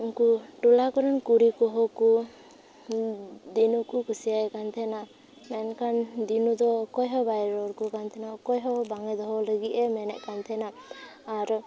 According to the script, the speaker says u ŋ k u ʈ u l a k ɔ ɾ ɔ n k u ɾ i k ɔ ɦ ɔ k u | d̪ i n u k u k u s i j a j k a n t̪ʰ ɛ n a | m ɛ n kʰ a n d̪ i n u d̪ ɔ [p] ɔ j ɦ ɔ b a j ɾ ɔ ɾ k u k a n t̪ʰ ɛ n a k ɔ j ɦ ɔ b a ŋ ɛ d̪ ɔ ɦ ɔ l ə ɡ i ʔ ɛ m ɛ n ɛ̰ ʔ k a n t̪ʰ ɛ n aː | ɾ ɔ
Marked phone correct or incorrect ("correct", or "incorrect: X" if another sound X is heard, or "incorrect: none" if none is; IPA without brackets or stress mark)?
incorrect: k